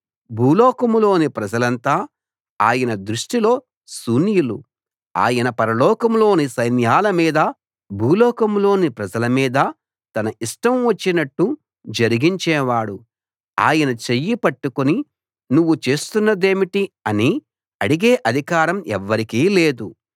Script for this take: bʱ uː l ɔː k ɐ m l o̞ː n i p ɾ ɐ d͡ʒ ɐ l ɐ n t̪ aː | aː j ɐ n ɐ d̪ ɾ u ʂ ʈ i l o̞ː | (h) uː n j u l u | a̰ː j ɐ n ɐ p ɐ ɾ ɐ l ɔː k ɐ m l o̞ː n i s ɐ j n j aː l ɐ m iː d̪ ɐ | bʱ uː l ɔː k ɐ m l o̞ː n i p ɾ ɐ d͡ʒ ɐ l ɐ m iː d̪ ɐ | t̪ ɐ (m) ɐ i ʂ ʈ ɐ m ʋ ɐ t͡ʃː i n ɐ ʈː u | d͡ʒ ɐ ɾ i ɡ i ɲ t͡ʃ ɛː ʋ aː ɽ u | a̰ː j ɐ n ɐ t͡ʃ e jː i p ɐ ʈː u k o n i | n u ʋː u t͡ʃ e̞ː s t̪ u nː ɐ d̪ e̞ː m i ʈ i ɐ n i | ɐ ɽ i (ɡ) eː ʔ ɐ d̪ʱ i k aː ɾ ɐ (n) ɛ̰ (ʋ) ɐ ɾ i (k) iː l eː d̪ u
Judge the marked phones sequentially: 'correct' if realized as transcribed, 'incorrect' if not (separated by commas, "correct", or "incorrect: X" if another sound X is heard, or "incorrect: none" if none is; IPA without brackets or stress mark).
incorrect: s, incorrect: n, correct, incorrect: m, incorrect: ʋː, correct